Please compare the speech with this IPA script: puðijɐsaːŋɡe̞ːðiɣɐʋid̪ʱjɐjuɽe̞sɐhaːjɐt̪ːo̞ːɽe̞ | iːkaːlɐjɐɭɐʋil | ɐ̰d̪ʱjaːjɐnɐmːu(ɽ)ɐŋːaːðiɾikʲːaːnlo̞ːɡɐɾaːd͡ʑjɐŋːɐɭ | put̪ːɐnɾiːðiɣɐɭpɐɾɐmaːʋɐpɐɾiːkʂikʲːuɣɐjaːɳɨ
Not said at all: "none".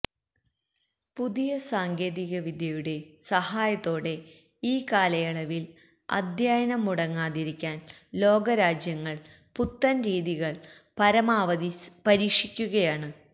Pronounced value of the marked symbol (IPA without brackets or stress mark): ɽ